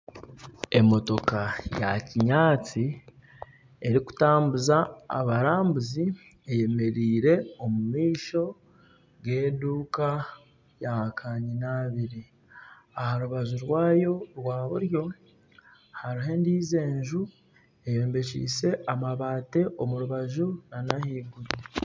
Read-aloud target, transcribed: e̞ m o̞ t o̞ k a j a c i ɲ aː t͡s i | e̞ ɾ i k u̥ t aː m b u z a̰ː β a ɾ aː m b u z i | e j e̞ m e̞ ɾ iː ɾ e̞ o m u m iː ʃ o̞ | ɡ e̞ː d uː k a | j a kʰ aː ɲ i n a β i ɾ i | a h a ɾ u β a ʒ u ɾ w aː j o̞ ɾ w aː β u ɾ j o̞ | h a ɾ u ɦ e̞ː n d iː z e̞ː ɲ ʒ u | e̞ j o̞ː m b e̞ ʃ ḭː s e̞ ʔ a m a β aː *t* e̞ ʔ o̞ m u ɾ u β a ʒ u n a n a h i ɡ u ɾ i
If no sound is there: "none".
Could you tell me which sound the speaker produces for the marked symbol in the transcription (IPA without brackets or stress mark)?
t